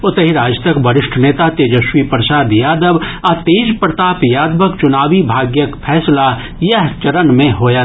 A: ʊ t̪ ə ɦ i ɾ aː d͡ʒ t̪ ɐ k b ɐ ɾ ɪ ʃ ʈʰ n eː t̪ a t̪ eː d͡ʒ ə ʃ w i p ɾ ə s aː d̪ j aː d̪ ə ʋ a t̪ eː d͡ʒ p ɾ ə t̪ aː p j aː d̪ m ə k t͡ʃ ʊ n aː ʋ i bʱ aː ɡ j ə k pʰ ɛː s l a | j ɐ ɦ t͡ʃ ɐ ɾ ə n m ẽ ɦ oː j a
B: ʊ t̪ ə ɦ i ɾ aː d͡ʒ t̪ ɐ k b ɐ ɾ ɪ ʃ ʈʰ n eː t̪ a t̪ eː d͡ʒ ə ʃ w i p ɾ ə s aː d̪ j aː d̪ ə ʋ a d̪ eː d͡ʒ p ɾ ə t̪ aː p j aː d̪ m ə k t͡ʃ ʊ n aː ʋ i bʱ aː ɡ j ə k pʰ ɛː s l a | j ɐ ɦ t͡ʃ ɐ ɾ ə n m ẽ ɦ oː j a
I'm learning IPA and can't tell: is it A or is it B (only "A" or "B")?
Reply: A